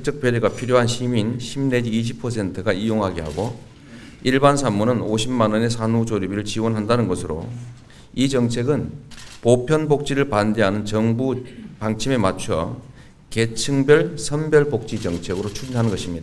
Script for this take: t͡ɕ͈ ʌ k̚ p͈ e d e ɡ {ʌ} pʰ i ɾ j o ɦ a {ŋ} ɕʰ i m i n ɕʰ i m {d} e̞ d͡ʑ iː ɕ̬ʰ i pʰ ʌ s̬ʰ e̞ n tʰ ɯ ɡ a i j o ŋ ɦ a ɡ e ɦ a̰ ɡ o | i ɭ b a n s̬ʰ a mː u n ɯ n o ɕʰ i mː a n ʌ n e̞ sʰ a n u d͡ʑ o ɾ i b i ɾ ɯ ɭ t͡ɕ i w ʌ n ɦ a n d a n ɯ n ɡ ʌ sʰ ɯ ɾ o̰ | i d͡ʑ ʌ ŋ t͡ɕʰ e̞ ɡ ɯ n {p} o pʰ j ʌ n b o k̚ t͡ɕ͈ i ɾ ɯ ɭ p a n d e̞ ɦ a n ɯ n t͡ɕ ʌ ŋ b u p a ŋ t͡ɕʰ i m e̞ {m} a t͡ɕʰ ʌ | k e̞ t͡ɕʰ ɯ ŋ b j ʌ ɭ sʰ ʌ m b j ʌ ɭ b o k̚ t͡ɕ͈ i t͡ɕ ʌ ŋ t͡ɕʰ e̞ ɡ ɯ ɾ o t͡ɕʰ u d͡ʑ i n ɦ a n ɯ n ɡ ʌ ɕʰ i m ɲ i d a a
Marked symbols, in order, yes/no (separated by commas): no, no, no, yes, yes